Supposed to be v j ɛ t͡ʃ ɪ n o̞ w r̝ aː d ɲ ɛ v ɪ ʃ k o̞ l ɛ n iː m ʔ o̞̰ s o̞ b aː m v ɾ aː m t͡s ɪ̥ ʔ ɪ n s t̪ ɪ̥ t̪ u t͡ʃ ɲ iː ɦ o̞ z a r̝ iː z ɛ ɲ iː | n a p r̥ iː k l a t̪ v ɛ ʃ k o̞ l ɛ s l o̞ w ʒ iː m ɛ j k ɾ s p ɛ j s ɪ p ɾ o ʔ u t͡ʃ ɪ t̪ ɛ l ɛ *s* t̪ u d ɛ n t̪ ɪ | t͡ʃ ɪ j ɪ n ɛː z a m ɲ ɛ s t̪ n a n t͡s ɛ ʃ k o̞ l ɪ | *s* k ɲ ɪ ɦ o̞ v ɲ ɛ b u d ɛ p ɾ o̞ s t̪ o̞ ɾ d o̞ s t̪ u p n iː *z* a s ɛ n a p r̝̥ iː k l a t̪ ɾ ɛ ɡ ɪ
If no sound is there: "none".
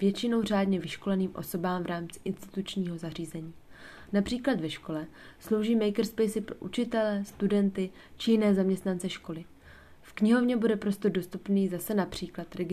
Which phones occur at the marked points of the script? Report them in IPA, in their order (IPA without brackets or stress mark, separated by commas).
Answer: s, f, z